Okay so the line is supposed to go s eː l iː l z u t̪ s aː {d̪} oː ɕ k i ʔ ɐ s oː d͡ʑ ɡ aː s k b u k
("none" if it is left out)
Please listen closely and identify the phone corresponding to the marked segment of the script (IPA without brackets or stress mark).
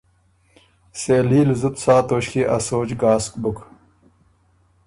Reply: t̪